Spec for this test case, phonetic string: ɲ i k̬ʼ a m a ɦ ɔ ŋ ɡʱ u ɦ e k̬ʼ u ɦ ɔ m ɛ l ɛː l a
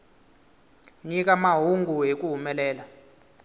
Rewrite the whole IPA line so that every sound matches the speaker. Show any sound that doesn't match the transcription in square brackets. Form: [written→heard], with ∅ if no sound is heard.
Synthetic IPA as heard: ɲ i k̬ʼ a m a ɦ [ɔ→u] ŋ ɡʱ u ɦ e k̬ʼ u ɦ [ɔ→u] m ɛ l ɛː l a